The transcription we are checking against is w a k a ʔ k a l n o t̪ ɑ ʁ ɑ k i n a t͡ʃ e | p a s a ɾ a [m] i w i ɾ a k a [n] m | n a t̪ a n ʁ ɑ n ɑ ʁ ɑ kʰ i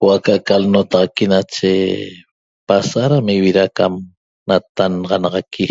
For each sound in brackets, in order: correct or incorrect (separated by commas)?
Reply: correct, incorrect